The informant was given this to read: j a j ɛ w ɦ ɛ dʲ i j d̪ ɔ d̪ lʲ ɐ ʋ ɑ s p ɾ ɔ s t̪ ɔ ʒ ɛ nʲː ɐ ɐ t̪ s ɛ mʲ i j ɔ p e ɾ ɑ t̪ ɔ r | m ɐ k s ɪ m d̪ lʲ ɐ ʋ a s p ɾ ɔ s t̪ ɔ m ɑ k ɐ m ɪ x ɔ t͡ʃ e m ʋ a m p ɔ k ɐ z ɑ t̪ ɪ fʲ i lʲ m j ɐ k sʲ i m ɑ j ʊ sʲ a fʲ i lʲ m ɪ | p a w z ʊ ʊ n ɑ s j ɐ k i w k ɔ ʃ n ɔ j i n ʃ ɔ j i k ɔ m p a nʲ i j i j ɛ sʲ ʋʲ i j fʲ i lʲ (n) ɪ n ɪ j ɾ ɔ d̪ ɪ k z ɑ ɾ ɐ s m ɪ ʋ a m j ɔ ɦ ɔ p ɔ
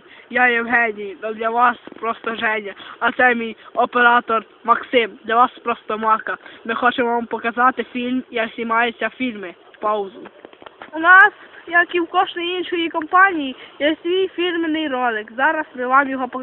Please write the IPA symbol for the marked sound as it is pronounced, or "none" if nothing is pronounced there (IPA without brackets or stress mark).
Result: m